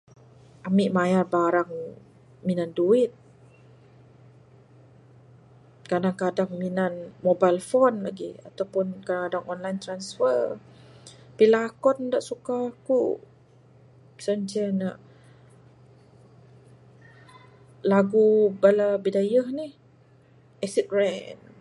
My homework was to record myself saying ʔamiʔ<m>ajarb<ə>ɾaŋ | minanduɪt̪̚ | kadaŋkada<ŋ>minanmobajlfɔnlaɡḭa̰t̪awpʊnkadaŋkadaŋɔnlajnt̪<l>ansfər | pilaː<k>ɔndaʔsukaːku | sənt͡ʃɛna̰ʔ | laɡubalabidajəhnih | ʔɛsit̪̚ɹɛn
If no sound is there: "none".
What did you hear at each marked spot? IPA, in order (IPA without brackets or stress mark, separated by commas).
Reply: m, a, ŋ, ɾ, k